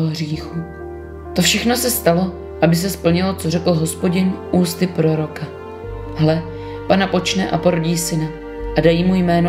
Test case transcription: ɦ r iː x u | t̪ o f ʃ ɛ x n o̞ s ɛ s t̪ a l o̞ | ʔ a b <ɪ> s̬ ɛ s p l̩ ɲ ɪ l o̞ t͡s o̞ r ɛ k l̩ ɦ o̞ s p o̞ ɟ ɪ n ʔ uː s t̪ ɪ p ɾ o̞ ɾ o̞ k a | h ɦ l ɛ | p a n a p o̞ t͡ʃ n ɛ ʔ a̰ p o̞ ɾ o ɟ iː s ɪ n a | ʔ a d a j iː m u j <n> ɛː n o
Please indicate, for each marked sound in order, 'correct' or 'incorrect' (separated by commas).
correct, incorrect